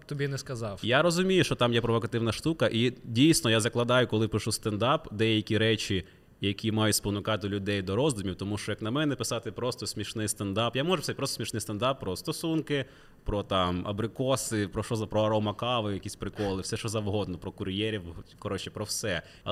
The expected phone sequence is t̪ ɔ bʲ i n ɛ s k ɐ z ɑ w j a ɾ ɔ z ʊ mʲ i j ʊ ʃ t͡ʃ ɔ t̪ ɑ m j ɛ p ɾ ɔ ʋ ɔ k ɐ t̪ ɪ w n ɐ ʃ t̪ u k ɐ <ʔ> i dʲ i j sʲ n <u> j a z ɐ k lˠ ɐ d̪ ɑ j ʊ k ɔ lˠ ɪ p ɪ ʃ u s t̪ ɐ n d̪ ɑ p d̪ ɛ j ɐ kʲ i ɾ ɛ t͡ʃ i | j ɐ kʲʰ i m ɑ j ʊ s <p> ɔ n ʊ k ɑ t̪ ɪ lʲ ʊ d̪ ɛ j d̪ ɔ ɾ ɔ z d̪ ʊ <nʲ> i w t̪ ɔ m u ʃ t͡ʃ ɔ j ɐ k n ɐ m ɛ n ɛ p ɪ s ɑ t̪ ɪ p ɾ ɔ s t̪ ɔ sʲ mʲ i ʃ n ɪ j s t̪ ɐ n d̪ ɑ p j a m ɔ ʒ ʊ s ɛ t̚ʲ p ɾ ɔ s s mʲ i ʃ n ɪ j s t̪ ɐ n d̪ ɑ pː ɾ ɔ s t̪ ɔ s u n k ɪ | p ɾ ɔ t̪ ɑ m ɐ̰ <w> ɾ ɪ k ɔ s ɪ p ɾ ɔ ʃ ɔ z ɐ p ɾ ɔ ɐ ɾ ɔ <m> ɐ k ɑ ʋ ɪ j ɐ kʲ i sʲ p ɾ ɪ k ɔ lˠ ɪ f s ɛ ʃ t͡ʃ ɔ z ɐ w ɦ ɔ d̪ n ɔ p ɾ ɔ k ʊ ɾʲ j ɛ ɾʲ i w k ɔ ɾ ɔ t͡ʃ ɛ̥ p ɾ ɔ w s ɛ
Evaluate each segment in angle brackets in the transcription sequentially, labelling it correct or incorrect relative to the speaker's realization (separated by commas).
correct, incorrect, correct, incorrect, incorrect, correct